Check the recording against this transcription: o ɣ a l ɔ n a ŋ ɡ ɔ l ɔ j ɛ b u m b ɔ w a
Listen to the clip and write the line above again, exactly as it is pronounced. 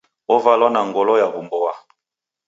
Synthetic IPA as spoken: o v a l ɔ n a ŋ ɡ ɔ l ɔ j a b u m b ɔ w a